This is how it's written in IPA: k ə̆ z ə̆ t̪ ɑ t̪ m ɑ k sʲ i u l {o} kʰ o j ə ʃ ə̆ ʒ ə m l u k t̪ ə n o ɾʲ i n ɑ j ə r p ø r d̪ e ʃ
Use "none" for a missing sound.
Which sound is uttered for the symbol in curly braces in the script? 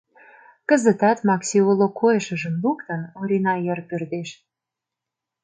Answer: o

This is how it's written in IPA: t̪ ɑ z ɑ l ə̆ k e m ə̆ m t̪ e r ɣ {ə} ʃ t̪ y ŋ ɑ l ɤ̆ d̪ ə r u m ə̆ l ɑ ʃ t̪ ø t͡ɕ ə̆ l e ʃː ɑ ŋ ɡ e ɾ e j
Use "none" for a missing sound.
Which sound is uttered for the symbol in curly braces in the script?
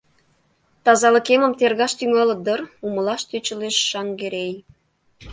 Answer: ɑ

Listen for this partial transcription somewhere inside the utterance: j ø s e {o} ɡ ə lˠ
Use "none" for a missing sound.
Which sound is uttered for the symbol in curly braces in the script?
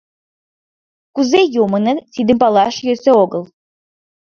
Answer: o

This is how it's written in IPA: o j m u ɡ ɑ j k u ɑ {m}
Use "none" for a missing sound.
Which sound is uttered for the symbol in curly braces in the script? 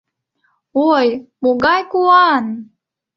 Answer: n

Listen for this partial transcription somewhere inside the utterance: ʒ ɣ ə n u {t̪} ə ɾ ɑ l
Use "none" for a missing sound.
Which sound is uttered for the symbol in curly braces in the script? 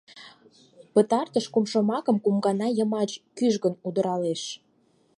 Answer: d̪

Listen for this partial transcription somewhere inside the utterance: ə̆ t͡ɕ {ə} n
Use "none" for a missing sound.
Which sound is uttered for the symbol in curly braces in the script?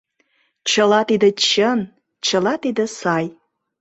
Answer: ə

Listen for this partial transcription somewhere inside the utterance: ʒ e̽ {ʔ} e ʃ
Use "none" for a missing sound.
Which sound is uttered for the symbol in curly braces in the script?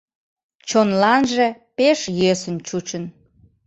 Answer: p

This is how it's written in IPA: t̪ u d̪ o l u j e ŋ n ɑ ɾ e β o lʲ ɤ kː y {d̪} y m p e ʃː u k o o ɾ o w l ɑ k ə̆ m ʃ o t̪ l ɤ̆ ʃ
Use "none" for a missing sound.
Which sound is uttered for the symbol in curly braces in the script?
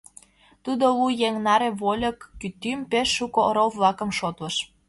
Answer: t̪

